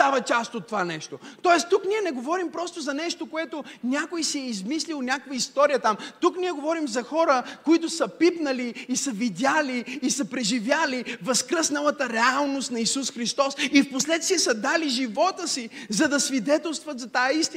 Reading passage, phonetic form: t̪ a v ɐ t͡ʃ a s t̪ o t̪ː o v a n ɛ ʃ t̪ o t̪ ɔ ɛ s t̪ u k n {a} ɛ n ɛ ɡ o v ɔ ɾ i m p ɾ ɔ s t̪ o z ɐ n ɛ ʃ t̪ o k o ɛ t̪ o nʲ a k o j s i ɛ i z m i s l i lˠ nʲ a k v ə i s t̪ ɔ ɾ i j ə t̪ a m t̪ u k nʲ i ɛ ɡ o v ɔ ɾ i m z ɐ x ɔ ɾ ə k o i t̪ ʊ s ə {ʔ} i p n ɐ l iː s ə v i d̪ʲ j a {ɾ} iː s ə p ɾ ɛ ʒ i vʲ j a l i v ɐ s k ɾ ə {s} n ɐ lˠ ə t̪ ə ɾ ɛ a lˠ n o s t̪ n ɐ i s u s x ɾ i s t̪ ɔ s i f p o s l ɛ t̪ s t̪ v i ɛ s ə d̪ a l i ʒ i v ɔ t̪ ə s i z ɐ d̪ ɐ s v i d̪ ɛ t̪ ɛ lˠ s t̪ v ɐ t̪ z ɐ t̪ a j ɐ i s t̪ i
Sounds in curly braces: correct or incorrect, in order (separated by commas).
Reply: incorrect, incorrect, incorrect, correct